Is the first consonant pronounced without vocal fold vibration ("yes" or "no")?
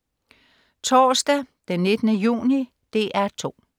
yes